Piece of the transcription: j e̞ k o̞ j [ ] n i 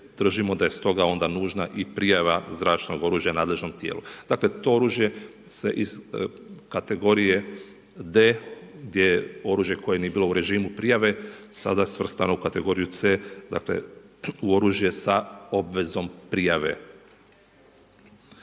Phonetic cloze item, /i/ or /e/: e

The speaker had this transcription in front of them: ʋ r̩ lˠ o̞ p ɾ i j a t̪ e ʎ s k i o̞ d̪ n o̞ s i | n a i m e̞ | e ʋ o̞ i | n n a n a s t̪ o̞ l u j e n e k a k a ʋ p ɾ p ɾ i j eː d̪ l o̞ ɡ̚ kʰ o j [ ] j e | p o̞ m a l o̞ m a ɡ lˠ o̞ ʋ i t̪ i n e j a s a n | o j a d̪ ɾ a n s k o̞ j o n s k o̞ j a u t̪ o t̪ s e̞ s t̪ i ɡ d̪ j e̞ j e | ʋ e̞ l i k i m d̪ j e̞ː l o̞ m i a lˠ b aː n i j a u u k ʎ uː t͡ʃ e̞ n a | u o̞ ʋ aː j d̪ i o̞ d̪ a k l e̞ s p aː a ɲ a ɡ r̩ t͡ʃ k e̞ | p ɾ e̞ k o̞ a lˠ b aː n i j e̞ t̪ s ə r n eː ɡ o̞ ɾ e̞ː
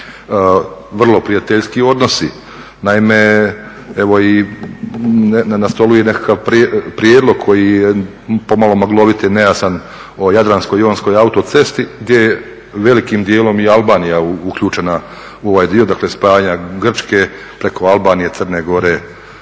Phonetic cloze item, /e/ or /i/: i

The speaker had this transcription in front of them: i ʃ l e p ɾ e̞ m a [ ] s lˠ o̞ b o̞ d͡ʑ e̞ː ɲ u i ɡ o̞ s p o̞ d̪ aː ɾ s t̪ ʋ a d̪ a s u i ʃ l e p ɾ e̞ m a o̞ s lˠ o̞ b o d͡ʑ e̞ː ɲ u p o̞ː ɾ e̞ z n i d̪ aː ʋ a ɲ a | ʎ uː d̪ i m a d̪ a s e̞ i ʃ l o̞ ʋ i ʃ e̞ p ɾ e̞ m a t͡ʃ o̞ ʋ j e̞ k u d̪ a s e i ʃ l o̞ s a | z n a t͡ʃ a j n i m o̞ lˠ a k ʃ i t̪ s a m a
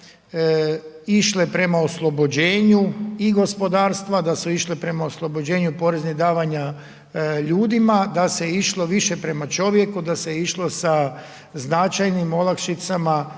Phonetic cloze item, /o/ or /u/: o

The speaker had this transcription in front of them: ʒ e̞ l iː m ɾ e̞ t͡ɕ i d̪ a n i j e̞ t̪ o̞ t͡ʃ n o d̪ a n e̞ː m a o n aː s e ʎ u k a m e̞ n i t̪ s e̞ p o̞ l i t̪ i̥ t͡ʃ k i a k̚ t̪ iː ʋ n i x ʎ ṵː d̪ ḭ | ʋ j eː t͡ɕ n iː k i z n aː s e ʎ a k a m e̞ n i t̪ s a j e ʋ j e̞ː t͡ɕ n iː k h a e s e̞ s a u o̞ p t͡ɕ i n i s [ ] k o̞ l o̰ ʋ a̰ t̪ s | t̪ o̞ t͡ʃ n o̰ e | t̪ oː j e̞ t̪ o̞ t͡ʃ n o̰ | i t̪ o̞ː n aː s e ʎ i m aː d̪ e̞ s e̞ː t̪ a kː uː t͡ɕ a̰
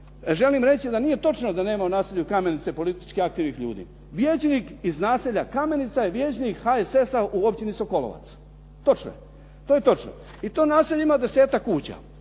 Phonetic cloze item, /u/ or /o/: o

